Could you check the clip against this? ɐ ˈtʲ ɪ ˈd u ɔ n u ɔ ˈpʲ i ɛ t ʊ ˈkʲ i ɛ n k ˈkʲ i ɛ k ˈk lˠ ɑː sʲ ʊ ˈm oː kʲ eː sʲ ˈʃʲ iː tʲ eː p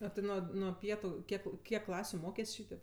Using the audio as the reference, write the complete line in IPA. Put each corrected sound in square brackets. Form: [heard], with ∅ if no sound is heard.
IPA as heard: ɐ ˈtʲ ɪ [ˈn] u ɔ n u ɔ ˈpʲ i ɛ t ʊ ˈkʲ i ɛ [∅] k ˈkʲ i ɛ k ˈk lˠ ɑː sʲ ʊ ˈm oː kʲ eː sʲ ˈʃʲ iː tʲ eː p